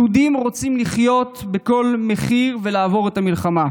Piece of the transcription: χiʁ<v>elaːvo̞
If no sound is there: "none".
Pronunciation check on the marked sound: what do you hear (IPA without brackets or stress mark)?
v